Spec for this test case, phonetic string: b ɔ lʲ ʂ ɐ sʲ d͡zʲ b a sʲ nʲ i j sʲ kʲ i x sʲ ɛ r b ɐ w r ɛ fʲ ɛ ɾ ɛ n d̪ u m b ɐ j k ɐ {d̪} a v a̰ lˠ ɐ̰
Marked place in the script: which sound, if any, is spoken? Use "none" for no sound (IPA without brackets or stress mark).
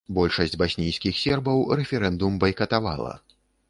t̪